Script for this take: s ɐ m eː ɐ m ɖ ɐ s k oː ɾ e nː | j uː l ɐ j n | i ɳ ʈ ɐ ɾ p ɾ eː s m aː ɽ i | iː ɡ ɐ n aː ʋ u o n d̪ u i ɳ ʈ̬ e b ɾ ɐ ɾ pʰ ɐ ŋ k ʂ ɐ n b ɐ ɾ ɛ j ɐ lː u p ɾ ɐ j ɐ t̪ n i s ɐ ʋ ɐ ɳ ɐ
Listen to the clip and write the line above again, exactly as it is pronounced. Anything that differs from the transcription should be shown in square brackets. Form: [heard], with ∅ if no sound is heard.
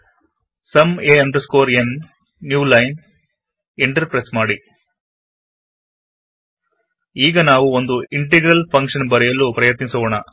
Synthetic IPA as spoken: s ɐ m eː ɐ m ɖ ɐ s k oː ɾ e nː | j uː l ɐ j n | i ɳ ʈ ɐ ɾ p ɾ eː s m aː ɽ i | iː ɡ ɐ n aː ʋ u o n d̪ u i ɳ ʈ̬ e [ɡ] ɾ ɐ [l] pʰ ɐ ŋ k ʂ ɐ n b ɐ ɾ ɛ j ɐ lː u p ɾ ɐ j ɐ t̪ n i s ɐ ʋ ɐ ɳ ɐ